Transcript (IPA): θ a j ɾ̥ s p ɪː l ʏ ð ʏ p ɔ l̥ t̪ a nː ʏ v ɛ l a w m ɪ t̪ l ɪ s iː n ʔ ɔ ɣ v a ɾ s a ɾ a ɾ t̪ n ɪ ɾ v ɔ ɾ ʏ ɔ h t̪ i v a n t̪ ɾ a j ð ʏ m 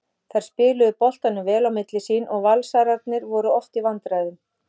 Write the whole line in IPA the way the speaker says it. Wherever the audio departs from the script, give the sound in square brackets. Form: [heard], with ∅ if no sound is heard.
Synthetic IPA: θ a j ɾ̥ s p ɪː l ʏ ð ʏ p ɔ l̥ t̪ a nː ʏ v [ɛː] l a w m ɪ t̪ l ɪ s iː n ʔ ɔ ɣ v a [l] s a ɾ a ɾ t̪ n ɪ ɾ v ɔ ɾ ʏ ɔ h t̪ i v a n t̪ ɾ a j ð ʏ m

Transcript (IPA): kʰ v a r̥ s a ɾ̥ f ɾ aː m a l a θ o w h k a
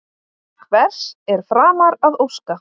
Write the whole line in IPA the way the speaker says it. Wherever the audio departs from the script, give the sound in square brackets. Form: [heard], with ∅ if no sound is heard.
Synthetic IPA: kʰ v [ɛ] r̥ s [ɛ] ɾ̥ f ɾ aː m a [ɾ] a [ð] o w [s] k a

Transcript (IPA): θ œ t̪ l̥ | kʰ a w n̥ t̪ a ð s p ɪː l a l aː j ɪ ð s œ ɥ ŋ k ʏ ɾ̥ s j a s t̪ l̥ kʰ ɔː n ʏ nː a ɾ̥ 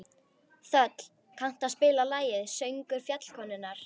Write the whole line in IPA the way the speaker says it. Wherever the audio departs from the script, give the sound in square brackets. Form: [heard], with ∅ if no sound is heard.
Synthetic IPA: θ œ t̪ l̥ | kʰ a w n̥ t̪ a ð s p ɪː l a l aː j ɪ ð s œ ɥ ŋ k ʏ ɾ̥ [f] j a [∅] t̪ l̥ kʰ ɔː n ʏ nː a ɾ̥

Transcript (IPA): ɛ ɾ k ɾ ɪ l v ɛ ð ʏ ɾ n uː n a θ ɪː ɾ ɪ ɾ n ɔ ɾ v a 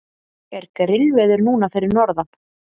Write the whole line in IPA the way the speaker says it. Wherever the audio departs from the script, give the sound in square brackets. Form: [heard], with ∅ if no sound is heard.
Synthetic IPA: ɛ ɾ k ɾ ɪ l v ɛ ð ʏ ɾ n uː n a [f] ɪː ɾ ɪ ɾ n ɔ ɾ [ð] a

